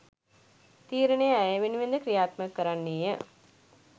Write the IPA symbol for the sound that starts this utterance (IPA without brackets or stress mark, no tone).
t̪